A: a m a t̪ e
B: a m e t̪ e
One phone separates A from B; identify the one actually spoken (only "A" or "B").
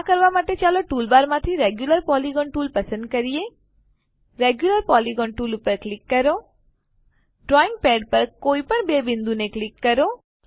A